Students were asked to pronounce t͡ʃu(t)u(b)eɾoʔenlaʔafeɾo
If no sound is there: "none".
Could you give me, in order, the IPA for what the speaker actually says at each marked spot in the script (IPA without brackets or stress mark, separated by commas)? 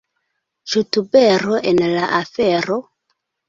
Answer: t, b